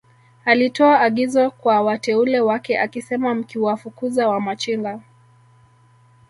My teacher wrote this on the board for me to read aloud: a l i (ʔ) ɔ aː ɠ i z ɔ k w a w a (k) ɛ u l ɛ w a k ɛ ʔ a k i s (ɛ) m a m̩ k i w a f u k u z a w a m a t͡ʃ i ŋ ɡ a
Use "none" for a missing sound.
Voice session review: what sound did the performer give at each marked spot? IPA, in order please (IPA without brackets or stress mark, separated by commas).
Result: t, t, ɛ